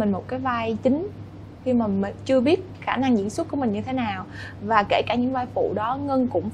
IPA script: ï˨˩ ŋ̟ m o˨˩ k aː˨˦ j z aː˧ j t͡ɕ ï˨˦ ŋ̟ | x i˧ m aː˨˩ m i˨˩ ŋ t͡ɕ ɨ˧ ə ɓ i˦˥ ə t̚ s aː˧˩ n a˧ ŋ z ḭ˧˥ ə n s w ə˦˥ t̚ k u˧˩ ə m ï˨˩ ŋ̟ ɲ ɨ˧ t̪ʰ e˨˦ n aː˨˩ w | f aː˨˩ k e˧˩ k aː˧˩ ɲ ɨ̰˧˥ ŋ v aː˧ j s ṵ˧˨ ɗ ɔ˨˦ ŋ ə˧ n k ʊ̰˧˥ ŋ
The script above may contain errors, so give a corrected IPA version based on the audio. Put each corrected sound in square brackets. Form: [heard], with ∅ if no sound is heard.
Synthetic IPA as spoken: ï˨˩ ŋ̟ m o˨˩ k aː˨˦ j [v] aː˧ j t͡ɕ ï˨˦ ŋ̟ | x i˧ m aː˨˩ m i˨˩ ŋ t͡ɕ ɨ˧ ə ɓ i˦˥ ə t̚ [x] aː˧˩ n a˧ ŋ z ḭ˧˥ ə n s w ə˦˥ t̚ k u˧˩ ə m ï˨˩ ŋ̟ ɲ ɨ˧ t̪ʰ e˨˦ n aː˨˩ w | [v] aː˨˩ k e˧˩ k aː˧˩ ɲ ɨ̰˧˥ ŋ v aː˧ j [f] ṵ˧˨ ɗ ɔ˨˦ ŋ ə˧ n k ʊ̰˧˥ [ŋ͡m]